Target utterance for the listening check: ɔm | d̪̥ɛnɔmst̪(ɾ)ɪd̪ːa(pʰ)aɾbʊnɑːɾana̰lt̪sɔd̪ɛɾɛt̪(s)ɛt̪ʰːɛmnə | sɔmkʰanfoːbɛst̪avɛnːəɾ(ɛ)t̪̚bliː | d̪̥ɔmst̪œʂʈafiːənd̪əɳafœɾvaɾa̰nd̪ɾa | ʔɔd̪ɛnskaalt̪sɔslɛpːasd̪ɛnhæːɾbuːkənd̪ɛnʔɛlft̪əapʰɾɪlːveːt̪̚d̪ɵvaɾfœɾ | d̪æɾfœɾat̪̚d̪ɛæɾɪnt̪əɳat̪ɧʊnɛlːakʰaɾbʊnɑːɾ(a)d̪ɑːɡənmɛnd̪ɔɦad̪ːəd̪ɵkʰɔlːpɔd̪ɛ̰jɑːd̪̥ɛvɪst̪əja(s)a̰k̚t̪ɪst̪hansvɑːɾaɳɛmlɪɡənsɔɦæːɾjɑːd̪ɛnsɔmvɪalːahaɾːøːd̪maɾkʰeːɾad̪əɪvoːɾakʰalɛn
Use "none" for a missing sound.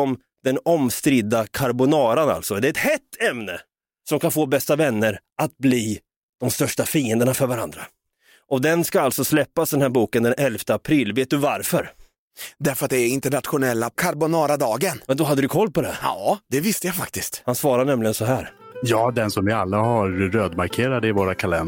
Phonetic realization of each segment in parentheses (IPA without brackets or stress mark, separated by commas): ɾ, kʰ, h, a, a, f